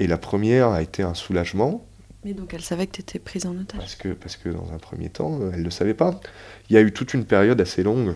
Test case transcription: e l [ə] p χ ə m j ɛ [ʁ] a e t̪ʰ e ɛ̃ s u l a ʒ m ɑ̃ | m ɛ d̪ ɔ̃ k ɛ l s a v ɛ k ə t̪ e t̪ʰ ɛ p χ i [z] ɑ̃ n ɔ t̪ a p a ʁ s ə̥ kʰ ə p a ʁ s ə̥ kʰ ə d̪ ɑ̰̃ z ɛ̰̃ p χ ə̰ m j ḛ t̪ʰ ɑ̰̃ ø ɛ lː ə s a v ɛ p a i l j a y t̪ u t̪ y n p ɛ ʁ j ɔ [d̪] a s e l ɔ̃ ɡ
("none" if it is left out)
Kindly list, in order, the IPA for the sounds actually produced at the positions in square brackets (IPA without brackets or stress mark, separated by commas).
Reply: a, ʁ, z, d̪